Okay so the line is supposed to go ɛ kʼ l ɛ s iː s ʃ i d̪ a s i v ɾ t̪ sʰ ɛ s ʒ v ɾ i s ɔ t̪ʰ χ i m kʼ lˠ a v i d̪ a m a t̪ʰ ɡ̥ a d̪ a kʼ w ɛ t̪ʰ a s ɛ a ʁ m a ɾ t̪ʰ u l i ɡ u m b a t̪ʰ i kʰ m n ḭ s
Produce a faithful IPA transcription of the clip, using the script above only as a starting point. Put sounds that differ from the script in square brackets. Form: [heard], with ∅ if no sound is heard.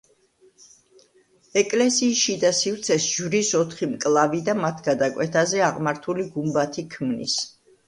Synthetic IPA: ɛ kʼ l ɛ s iː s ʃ i d̪ a s i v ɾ t̪ sʰ ɛ s ʒ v ɾ i s ɔ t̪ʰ χ i m kʼ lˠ a v i d̪ a m a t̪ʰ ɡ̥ a d̪ a kʼ w ɛ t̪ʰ a [z] ɛ a ʁ m a ɾ t̪ʰ u l i ɡ u m b a t̪ʰ i kʰ m n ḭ s